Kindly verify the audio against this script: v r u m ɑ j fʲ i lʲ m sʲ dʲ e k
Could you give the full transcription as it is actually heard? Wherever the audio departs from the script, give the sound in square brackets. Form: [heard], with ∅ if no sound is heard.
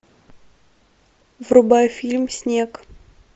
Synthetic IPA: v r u [b] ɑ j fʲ i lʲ m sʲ [nʲ] e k